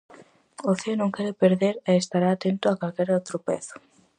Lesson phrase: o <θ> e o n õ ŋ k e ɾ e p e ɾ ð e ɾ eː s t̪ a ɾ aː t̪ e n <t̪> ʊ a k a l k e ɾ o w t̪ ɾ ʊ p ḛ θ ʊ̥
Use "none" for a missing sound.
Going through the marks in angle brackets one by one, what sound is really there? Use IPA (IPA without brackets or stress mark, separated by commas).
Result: θ, t̪